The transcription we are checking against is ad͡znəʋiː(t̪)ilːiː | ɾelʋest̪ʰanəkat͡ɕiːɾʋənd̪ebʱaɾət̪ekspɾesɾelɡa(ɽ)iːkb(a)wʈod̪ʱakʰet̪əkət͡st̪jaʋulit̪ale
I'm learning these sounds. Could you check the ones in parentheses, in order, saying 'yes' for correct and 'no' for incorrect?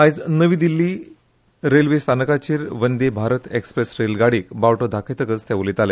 no, yes, yes

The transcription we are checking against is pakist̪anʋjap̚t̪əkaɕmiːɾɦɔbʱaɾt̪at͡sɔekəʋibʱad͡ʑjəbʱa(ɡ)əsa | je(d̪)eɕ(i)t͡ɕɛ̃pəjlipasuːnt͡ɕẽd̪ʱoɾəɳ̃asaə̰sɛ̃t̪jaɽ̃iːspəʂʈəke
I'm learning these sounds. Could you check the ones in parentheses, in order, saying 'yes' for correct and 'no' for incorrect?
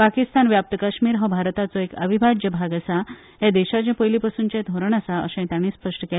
yes, yes, no

